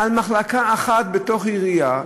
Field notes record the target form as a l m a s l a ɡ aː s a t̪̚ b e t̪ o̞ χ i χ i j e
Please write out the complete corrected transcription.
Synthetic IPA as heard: a l m a χ l a k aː χ a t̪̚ b e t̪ o̞ χ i ʁ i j a